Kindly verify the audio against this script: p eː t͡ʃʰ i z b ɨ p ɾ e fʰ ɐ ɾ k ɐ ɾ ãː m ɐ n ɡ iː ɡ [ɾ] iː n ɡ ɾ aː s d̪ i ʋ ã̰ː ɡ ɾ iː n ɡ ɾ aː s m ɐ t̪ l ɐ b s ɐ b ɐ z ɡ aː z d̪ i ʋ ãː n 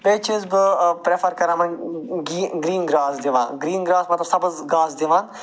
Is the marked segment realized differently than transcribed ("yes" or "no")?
no